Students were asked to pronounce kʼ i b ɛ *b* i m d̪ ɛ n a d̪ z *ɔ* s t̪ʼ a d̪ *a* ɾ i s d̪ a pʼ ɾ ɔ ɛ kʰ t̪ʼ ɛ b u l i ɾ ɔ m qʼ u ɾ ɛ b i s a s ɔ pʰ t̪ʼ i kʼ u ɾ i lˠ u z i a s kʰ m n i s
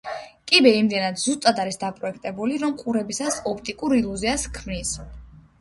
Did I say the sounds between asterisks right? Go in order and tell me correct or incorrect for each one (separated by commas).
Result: incorrect, incorrect, correct